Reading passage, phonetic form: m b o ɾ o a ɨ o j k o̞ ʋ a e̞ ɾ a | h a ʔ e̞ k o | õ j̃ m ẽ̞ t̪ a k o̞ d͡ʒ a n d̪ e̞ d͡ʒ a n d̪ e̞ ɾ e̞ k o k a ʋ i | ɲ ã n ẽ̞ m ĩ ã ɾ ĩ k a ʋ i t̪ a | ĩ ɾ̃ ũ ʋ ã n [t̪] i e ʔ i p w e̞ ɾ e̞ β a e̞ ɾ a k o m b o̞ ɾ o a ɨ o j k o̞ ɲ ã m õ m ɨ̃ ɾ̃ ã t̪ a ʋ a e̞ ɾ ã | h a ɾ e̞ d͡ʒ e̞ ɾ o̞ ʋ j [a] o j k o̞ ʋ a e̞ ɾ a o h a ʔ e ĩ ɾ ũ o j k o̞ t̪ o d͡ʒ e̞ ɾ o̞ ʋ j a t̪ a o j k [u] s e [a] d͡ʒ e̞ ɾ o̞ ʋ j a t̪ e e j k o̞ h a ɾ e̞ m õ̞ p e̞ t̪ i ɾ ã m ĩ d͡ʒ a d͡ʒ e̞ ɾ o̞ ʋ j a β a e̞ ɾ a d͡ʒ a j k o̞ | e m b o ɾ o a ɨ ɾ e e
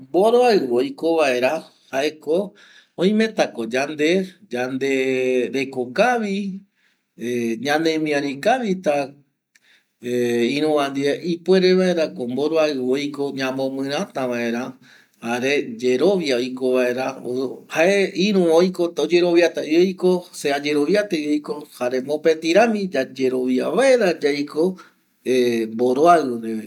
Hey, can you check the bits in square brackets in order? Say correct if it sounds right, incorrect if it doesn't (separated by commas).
incorrect, correct, incorrect, correct